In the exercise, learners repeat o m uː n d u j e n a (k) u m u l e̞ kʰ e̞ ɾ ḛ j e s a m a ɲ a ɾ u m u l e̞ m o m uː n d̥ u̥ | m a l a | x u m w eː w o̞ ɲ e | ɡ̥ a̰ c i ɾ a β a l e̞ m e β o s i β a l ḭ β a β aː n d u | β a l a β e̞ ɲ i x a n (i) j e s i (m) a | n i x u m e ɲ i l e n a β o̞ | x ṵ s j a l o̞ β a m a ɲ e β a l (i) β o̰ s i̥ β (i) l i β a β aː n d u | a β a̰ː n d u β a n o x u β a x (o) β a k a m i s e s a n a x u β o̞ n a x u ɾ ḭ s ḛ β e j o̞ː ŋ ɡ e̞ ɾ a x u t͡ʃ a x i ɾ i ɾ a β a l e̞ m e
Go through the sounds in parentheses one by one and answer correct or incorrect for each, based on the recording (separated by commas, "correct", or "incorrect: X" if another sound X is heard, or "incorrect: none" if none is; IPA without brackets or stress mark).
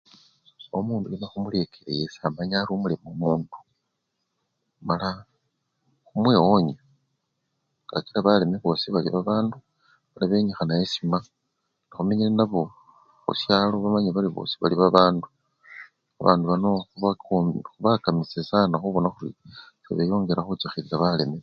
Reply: incorrect: x, incorrect: a, correct, correct, incorrect: a, incorrect: u